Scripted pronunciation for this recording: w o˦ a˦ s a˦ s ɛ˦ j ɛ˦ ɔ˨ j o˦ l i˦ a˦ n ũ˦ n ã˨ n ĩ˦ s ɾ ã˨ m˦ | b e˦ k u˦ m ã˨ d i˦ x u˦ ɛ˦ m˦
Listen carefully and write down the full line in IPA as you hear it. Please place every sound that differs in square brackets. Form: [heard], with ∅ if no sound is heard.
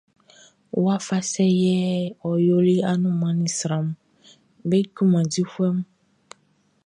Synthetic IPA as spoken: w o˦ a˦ [f] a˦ s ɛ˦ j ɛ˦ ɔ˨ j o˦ l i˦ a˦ n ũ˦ [m] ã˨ n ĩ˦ s ɾ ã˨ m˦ | b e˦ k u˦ m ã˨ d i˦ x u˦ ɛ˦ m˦